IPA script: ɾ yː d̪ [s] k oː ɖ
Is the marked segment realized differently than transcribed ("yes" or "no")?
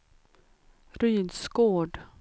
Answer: no